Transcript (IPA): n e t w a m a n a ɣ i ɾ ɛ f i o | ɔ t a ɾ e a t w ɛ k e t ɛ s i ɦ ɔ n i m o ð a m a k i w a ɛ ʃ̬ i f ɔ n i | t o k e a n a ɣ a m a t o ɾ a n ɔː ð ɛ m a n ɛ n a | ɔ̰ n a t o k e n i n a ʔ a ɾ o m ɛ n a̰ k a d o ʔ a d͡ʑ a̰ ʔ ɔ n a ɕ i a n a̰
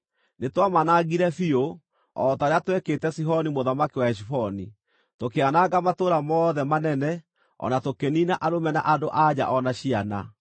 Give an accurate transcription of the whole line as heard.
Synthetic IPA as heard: n e t w a m a n a ɣ i ɾ ɛ f i o | ɔ t a ɾ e a t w ɛ k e t ɛ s i ɦ ɔ n i m o ð a m a k i w a ɛ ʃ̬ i f ɔ n i | t o k e a n a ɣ a m a t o ɾ a m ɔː ð ɛ m a n ɛ n ɛ | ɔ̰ n a t o k e n i n a ʔ a ɾ o m ɛ n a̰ ʔ a d o ʔ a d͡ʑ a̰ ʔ ɔ n a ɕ i a n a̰